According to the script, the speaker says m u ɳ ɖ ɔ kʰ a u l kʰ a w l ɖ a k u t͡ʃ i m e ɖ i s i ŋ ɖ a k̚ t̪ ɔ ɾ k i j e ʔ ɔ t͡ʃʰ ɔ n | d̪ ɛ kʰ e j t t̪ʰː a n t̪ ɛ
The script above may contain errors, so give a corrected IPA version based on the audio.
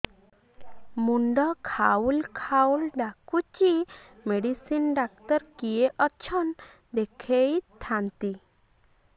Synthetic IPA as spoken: m u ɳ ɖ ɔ kʰ a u l kʰ a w l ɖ a k u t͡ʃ i m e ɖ i s i n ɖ a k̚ t̪ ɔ ɾ k i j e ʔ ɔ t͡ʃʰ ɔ n | d̪ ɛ kʰ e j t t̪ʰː a n t̪ i